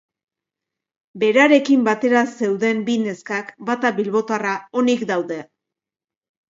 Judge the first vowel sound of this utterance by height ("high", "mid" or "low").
mid